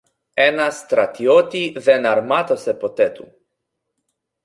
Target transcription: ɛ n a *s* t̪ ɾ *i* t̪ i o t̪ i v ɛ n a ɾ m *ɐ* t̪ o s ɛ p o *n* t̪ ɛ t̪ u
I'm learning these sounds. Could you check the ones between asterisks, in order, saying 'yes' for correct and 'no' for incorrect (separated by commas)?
yes, no, no, no